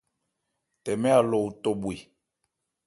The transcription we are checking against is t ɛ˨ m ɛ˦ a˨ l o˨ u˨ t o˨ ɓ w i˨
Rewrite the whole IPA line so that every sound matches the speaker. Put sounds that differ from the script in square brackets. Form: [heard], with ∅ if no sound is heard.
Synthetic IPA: t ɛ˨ m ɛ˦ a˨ l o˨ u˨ t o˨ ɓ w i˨